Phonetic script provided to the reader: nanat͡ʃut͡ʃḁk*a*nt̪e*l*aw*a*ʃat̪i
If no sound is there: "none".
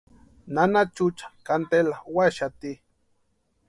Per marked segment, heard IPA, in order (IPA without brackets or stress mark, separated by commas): a, l, a